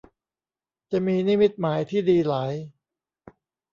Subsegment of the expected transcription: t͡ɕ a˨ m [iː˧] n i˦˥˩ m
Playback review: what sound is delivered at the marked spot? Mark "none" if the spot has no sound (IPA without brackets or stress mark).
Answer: iː˧